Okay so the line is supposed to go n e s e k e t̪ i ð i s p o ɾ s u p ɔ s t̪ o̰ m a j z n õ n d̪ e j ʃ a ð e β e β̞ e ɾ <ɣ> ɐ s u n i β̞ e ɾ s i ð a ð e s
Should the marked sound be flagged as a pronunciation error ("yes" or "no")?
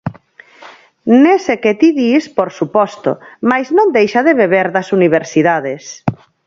yes